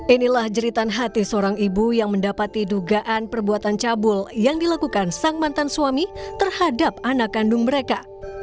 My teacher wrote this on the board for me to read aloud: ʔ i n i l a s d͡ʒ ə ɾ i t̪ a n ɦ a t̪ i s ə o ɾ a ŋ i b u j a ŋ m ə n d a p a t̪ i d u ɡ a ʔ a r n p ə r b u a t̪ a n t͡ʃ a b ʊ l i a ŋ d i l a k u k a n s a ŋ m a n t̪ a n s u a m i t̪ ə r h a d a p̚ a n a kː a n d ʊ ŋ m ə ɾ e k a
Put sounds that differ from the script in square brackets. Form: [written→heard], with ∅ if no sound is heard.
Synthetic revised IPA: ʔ i n i l a [s→h] d͡ʒ ə ɾ i t̪ a n ɦ a t̪ i s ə o ɾ a ŋ i b u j a ŋ m ə n d a p a t̪ i d u ɡ a ʔ a [r→∅] n p ə r b u a t̪ a n t͡ʃ a b ʊ l [i→j] a ŋ d i l a k u k a n s a ŋ m a n t̪ a n s u a m i t̪ ə r h a d a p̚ a n a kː a n d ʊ ŋ m ə ɾ e k a